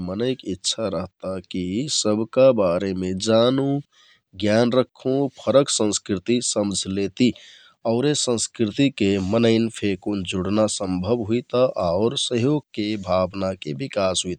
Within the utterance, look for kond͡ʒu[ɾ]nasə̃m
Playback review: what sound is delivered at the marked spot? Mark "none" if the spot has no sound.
ɽ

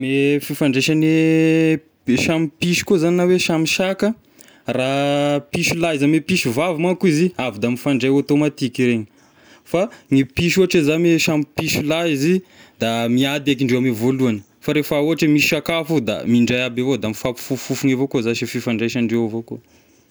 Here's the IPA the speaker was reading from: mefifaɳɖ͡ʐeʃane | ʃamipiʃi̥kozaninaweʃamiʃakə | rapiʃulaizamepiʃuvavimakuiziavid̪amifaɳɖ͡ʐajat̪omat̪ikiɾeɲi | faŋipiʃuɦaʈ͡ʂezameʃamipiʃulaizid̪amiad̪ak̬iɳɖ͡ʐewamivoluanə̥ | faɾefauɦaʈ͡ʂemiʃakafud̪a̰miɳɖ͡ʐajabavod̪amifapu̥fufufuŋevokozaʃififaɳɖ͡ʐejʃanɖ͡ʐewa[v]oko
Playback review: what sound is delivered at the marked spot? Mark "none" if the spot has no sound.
v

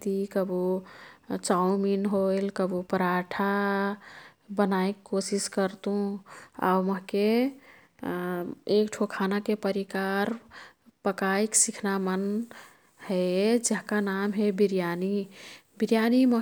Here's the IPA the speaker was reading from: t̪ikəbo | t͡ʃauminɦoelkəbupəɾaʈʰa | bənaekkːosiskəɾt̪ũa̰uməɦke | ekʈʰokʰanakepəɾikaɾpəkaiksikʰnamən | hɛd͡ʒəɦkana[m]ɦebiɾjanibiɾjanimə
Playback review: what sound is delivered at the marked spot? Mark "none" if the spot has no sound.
m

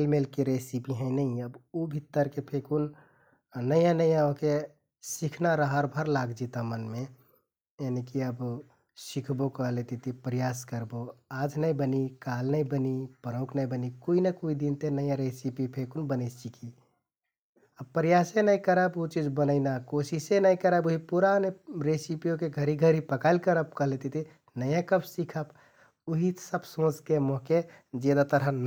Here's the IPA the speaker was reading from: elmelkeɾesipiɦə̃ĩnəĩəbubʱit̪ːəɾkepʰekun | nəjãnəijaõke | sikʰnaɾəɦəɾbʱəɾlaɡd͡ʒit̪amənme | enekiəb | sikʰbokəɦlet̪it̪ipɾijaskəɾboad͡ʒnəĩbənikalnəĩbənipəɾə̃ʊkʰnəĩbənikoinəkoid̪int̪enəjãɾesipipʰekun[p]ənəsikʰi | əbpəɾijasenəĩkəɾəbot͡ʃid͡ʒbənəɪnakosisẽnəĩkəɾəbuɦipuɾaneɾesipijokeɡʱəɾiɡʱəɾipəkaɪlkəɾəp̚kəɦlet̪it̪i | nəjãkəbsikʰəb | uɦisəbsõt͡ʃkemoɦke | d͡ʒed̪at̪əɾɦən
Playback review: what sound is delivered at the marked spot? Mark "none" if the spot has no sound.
b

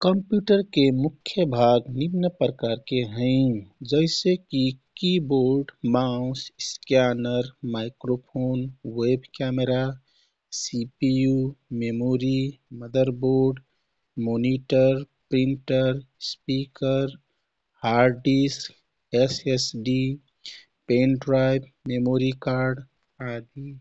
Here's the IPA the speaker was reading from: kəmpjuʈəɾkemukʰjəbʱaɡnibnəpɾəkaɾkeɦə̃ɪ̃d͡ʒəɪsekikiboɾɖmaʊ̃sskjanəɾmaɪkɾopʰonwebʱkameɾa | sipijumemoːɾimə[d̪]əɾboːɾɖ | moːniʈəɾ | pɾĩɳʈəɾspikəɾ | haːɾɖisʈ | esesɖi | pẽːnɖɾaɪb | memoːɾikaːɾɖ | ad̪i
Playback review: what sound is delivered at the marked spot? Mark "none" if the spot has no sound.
d̪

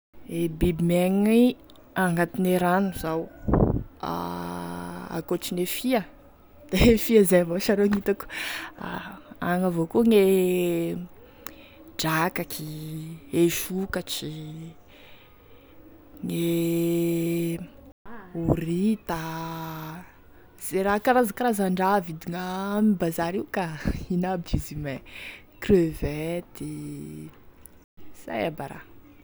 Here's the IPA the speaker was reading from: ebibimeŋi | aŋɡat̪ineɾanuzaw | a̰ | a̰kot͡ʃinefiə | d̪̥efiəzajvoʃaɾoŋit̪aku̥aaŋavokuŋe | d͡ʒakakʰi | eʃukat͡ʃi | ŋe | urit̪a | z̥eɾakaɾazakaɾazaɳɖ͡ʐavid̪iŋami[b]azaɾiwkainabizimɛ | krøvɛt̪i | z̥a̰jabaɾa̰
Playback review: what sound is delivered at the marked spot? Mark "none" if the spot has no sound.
b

